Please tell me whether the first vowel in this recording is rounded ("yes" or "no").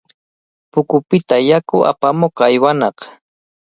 yes